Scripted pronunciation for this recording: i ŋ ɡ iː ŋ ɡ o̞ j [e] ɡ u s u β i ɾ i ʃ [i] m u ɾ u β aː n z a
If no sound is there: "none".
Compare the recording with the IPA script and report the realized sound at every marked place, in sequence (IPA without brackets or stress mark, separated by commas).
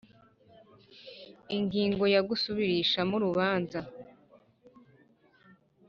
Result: a, a